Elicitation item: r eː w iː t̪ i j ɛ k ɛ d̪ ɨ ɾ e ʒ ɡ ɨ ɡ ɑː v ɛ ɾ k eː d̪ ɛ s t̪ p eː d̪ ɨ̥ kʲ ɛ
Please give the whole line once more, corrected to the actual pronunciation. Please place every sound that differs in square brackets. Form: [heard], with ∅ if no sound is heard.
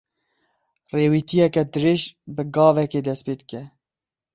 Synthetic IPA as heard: r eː w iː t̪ i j ɛ k ɛ d̪ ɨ ɾ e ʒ [b] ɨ ɡ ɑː v ɛ [∅] k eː d̪ ɛ s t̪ p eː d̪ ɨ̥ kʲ ɛ